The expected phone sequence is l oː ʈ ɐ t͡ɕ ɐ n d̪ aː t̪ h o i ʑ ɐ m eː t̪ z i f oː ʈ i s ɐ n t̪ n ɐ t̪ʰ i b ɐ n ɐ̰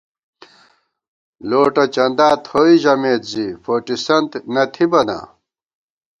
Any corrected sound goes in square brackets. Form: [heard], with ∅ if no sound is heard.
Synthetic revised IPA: l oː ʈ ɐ t͡ɕ ɐ n d̪ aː t̪ h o i ʑ ɐ m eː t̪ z i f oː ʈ i s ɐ n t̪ n ɐ t̪ʰ i b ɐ n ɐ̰

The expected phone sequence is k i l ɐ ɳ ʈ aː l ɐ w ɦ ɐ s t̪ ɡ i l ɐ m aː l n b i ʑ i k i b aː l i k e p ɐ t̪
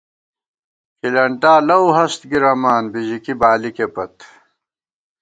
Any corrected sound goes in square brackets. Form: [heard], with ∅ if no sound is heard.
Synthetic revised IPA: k i l ɐ ɳ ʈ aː l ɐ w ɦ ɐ s t̪ ɡ i [ɾ] ɐ m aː [∅] n b i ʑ i k i b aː l i k e p ɐ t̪

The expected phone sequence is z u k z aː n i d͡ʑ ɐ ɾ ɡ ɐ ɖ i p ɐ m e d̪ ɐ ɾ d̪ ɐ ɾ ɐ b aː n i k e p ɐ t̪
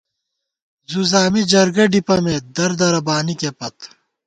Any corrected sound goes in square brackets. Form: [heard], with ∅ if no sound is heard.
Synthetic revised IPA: z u [∅] z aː [m] i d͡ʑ ɐ ɾ ɡ ɐ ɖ i p ɐ m e d̪ ɐ ɾ d̪ ɐ ɾ ɐ b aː n i k e p ɐ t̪

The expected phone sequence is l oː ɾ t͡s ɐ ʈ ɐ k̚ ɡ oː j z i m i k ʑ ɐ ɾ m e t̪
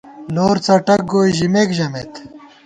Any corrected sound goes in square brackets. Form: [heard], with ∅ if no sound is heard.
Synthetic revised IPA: l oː ɾ t͡s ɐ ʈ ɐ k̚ ɡ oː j [ʑ] i m [e] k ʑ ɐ [∅] m e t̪

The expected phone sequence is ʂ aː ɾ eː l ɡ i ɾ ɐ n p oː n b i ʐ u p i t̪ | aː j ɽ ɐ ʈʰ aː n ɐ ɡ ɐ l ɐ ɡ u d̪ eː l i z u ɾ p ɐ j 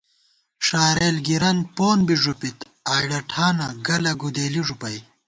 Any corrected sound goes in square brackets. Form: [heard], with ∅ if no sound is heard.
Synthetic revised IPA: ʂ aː ɾ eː l ɡ i ɾ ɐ n p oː n b i ʐ u p i t̪ | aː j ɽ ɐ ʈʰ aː n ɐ ɡ ɐ l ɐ ɡ u d̪ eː l i [ʐ] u [∅] p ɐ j

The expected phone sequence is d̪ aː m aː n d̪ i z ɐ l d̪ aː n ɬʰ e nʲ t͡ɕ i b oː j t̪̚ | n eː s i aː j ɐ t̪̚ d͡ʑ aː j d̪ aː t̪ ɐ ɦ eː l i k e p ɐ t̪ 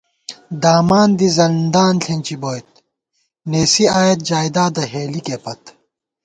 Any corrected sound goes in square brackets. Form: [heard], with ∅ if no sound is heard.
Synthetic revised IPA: d̪ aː m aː n d̪ i z ɐ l d̪ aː n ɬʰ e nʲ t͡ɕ i b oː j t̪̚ | n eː s i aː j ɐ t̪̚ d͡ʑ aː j d̪ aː [d̪] ɐ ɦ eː l i k e p ɐ t̪

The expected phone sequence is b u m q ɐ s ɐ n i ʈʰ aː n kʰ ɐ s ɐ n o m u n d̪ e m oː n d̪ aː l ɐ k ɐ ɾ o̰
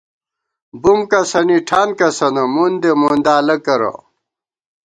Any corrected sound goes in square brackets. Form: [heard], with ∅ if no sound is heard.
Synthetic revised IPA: b u m [k] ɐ s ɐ n i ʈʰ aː n [k] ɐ s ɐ n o m u n d̪ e m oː n d̪ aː l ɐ k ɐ ɾ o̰

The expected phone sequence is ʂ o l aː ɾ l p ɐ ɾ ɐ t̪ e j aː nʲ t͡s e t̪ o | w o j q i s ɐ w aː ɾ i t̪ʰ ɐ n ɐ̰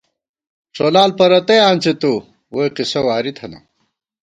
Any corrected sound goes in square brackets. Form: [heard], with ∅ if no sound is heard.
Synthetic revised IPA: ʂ o l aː [∅] l p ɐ ɾ ɐ t̪ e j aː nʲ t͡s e t̪ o | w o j q i s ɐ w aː ɾ i t̪ʰ ɐ n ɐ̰

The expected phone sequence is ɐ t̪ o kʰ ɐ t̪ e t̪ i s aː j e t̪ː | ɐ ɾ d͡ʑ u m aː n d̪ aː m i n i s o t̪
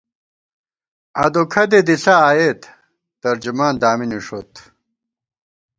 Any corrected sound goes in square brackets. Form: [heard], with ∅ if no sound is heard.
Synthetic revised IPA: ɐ [d̪] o kʰ ɐ [d̪] e [d̪] i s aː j e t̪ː | ɐ ɾ d͡ʑ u m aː n d̪ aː m i n i [ʂ] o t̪

